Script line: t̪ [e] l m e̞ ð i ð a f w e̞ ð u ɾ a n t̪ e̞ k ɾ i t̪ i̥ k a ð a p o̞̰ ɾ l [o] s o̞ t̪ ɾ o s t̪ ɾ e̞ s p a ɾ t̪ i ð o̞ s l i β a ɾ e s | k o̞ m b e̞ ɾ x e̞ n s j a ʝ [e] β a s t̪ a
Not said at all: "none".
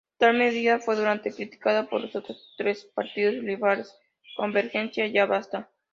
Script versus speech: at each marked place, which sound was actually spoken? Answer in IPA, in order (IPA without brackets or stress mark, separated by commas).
a, o, a